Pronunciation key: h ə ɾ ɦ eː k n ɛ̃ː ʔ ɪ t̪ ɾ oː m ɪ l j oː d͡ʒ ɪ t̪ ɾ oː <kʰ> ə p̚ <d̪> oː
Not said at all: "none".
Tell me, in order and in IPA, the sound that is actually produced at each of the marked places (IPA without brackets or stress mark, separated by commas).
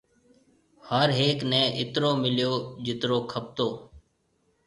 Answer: kʰ, t̪